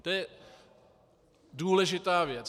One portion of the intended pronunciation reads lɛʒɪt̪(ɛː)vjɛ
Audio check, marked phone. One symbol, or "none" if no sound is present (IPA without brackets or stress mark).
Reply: aː